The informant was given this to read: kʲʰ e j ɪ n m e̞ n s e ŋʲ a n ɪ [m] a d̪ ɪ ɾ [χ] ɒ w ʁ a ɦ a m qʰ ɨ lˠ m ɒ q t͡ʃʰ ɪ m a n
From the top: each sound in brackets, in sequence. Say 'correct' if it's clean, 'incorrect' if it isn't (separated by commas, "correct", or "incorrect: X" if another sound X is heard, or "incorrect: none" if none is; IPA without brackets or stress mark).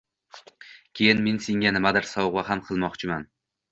correct, incorrect: s